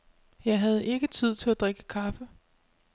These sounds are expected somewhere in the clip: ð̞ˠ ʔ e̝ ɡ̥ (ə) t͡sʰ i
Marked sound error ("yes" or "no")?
no